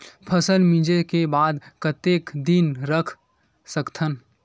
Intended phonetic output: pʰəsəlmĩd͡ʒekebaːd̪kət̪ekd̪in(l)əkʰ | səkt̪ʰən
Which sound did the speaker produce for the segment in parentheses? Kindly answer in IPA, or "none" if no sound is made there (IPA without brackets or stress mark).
ɾ